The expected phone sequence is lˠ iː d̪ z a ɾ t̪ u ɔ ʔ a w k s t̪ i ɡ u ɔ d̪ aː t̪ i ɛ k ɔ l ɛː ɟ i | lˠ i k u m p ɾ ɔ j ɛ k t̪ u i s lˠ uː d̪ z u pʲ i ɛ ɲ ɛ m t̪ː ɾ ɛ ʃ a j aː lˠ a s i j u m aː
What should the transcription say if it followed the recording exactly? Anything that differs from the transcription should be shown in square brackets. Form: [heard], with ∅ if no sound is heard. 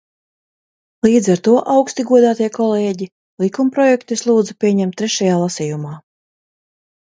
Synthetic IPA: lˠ iː d̪ z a ɾ t̪ u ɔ ʔ a w k s t̪ i ɡ u ɔ d̪ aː t̪ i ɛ k ɔ l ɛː ɟ i | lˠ i k u m p ɾ ɔ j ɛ k t̪ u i s lˠ uː d̪ z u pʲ i ɛ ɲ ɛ m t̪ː ɾ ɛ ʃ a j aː lˠ a s i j u m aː